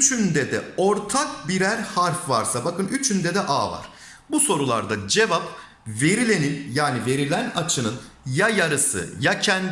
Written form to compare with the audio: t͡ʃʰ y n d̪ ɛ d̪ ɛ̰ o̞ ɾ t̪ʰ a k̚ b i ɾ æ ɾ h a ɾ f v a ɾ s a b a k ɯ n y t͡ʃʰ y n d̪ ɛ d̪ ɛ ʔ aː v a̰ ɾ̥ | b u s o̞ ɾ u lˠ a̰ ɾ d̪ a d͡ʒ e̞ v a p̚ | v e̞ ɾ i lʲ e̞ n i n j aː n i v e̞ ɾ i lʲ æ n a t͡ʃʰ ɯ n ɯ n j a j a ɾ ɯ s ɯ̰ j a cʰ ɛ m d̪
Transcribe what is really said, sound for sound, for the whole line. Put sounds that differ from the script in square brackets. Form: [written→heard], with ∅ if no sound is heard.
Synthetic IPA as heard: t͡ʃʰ y n d̪ ɛ d̪ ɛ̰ o̞ ɾ t̪ʰ a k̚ b i ɾ æ ɾ h a ɾ f v a ɾ s a b a k ɯ n y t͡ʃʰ y n d̪ ɛ d̪ ɛ ʔ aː v a̰ ɾ̥ | b u s o̞ ɾ u lˠ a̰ ɾ d̪ a d͡ʒ e̞ v a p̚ | v e̞ ɾ i lʲ e̞ n i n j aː n i v e̞ ɾ i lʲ æ n a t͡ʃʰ ɯ n ɯ n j a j a ɾ ɯ s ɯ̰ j a cʰ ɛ [m→n] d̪